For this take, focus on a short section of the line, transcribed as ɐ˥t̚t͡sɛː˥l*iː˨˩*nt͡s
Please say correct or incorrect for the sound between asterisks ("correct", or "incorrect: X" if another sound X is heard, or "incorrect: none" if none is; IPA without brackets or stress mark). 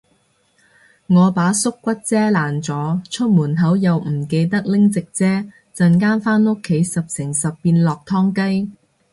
incorrect: aː˨˩